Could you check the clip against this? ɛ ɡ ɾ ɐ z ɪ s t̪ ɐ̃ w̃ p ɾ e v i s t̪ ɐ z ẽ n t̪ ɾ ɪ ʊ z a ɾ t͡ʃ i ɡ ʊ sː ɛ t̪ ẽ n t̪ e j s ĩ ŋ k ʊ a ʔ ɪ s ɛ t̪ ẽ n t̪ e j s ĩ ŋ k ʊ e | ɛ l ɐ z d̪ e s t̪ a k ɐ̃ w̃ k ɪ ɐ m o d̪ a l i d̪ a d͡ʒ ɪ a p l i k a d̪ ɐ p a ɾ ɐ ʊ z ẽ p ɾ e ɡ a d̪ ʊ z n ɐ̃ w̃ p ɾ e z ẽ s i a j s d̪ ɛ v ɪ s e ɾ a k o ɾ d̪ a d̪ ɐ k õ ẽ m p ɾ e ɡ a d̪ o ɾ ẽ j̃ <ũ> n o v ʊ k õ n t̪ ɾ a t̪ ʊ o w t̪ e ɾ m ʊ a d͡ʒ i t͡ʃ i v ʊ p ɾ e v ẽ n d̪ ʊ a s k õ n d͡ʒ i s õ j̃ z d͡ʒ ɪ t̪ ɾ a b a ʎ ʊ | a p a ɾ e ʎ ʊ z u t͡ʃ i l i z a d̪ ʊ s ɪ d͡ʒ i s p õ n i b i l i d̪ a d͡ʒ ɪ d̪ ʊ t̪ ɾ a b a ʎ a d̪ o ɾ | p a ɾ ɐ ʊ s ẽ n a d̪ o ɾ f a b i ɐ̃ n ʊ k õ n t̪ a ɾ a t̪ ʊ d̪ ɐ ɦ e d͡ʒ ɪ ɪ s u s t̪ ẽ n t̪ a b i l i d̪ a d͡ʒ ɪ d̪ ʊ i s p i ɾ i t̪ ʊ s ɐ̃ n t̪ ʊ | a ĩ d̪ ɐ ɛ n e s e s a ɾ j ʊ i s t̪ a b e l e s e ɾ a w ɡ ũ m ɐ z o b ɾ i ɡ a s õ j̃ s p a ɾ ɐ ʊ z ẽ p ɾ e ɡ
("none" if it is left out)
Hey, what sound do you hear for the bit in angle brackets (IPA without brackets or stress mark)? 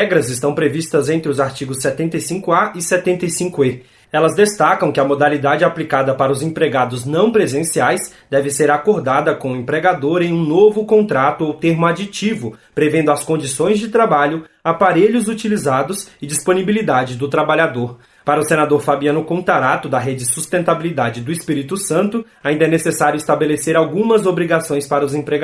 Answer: ũ